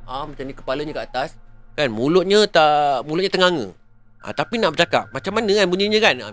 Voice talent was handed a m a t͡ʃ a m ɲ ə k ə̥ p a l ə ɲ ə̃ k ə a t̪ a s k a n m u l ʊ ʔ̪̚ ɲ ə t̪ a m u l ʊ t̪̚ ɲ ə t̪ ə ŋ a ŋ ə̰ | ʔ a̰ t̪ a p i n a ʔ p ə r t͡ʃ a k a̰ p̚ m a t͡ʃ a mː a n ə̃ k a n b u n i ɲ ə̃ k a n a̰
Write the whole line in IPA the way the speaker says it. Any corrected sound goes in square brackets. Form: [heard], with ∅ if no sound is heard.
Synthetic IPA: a m a t͡ʃ a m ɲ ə k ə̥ p a l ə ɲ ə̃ k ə a t̪ a s k a n m u l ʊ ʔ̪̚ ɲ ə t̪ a m u l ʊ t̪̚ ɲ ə t̪ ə ŋ a ŋ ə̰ | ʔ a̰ t̪ a p i n a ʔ [b] ə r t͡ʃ a k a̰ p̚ m a t͡ʃ a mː a n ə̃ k a n b u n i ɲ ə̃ k a n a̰